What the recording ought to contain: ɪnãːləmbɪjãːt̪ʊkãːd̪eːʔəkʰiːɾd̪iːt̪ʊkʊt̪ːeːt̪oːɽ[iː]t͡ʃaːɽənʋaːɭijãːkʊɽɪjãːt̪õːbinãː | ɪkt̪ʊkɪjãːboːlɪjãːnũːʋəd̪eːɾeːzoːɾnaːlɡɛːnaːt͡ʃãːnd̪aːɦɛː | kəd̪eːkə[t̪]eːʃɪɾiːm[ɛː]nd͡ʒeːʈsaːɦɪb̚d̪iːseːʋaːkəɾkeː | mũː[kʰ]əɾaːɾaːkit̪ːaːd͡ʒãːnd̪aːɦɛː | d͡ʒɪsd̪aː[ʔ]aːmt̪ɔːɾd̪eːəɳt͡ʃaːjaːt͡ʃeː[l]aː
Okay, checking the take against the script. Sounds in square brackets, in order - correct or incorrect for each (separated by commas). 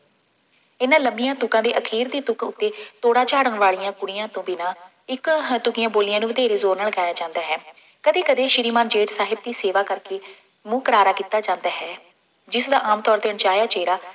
incorrect, incorrect, incorrect, incorrect, correct, incorrect